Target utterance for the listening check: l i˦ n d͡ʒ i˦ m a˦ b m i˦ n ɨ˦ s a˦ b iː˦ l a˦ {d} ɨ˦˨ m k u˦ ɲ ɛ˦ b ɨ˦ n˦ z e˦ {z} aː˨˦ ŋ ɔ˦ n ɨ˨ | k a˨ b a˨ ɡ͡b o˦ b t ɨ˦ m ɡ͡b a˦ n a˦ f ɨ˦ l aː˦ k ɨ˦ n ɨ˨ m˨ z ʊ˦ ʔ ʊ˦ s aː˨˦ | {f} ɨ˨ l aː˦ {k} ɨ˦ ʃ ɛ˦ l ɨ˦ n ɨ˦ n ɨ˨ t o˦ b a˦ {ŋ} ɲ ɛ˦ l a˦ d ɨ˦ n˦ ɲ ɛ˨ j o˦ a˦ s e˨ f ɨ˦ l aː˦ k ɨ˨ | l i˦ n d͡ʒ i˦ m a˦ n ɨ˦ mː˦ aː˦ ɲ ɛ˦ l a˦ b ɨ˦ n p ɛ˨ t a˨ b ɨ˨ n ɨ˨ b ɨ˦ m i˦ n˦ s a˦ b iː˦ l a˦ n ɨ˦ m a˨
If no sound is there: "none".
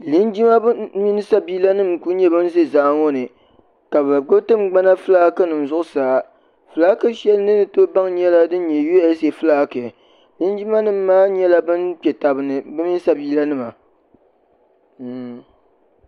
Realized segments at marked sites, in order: n, z, f, k, ŋ

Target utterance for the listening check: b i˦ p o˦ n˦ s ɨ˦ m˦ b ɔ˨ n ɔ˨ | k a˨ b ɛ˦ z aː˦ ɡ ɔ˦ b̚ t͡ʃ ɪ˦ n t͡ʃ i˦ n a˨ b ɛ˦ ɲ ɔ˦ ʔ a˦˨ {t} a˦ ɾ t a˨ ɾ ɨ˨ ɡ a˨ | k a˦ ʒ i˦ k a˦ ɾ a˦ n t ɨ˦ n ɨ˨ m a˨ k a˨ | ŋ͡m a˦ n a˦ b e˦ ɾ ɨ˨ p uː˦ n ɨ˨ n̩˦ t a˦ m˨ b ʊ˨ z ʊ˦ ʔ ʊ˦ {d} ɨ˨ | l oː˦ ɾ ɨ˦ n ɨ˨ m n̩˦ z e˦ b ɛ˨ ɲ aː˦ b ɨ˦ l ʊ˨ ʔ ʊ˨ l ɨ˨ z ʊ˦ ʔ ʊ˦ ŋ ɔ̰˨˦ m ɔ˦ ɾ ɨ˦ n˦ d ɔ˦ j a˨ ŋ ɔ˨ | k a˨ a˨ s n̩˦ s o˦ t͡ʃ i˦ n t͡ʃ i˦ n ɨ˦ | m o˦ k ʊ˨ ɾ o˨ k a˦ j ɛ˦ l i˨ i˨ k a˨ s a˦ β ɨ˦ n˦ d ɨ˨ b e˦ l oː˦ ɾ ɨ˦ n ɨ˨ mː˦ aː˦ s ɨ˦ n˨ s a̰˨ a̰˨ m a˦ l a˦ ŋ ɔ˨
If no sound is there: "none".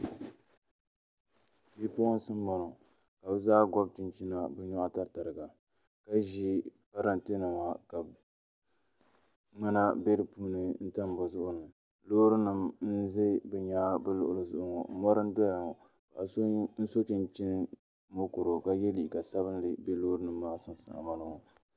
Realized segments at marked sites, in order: t, n

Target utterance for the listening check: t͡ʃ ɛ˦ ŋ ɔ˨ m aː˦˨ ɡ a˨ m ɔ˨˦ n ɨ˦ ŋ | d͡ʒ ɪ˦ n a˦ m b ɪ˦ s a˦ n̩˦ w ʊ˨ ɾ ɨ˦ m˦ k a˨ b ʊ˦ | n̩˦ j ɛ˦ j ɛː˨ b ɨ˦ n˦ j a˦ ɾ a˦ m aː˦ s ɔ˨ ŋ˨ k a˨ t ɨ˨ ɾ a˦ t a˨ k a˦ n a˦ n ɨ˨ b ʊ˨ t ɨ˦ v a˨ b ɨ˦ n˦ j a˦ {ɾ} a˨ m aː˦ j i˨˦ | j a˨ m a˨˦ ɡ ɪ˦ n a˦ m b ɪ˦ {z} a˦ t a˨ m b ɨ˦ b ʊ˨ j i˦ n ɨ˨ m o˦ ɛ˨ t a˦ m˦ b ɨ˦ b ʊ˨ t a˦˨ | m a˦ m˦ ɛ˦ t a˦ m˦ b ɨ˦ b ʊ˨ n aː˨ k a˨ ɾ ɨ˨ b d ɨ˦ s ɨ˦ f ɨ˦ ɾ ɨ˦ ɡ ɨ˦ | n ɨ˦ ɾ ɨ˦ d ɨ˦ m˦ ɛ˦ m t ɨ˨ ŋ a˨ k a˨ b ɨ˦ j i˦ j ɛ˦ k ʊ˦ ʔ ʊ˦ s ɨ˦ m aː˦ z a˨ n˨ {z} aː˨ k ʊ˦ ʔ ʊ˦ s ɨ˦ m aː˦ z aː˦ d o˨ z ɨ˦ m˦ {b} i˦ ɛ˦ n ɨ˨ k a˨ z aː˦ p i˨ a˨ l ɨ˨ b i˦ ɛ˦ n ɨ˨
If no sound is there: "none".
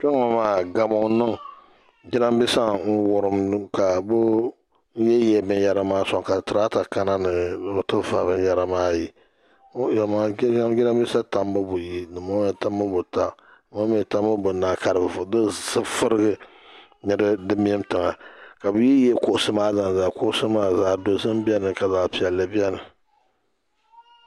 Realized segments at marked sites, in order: ɾ, s, z, b

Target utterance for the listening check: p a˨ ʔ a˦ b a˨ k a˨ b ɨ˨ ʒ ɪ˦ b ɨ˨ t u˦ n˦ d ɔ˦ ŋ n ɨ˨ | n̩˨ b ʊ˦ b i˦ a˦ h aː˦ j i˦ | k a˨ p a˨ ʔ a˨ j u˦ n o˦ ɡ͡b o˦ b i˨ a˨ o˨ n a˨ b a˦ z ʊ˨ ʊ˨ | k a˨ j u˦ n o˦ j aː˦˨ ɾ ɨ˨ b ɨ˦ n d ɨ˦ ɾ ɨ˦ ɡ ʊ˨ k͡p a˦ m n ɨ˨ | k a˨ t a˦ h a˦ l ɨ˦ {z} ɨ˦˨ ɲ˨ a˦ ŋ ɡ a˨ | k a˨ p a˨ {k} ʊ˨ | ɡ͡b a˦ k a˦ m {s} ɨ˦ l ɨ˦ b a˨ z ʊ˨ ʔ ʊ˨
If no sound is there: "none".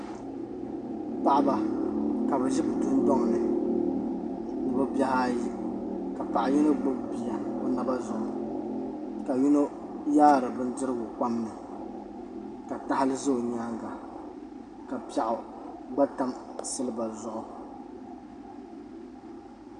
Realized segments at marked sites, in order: z, ʔ, s

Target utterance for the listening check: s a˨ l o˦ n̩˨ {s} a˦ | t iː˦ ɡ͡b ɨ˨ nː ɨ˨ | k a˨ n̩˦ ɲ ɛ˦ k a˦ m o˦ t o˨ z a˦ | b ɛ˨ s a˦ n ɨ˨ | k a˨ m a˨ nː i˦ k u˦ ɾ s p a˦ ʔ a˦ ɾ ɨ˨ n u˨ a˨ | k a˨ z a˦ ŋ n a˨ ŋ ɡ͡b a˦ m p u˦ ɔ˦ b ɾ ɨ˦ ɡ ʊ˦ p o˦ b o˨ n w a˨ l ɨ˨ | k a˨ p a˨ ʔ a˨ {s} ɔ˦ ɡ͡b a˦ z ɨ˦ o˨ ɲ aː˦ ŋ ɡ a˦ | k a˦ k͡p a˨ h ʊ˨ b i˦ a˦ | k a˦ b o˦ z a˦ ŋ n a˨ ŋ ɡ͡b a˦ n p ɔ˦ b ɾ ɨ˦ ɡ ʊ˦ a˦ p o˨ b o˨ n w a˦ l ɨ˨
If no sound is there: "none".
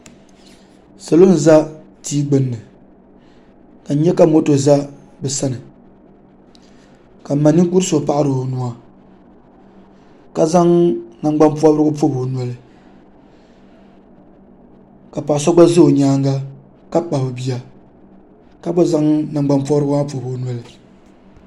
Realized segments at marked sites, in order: z, s

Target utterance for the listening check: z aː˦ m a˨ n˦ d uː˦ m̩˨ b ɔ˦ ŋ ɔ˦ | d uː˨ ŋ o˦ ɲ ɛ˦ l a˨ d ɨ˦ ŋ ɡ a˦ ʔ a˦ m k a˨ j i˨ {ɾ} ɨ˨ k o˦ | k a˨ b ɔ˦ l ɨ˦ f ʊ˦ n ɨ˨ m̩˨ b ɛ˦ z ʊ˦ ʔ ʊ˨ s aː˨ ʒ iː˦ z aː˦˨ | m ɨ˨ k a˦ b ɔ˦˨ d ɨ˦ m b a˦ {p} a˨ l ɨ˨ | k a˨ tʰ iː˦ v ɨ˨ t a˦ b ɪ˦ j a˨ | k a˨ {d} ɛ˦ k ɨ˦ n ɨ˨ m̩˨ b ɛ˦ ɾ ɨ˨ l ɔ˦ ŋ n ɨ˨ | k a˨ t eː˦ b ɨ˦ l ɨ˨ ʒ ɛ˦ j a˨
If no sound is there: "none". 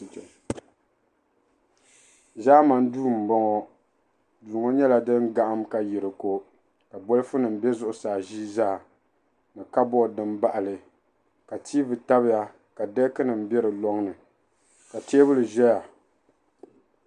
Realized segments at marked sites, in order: ɾ, ʔ, d

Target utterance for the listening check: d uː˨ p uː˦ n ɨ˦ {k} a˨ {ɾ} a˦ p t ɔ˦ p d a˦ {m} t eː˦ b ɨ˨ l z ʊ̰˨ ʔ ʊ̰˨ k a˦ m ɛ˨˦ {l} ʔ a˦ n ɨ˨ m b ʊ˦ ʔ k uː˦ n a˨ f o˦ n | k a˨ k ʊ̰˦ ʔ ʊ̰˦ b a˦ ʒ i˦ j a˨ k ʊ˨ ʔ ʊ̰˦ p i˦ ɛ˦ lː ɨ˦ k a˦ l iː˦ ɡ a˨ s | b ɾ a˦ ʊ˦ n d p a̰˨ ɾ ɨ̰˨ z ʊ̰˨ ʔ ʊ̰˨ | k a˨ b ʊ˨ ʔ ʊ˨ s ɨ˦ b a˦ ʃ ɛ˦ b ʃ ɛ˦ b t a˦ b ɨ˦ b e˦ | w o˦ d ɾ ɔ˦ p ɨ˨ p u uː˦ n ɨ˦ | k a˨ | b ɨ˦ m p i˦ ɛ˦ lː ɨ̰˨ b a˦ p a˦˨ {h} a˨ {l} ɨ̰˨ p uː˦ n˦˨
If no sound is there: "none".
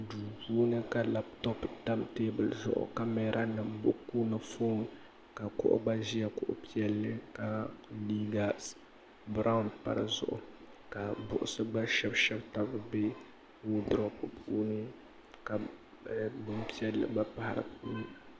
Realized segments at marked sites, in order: k, l, m, ɾ, h, ɾ

